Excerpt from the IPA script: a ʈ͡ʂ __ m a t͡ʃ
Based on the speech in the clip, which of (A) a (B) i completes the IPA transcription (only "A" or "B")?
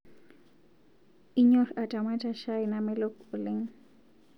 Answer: A